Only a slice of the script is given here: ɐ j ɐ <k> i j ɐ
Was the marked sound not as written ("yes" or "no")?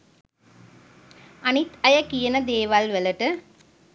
no